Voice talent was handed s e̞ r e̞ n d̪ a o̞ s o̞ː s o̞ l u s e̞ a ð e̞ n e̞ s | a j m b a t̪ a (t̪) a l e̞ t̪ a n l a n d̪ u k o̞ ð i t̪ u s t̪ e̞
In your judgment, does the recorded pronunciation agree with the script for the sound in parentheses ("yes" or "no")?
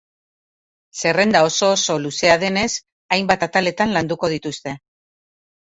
yes